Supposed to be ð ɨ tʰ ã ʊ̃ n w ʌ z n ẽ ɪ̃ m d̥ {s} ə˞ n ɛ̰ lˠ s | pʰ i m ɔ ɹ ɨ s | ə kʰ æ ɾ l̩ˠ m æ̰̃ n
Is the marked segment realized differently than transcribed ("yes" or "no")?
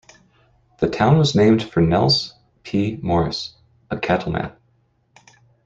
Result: yes